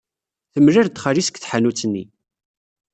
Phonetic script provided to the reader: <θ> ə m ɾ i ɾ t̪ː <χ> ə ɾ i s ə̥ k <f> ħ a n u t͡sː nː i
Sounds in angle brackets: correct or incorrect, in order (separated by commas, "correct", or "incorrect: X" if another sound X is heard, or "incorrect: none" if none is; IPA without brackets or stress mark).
correct, correct, incorrect: θ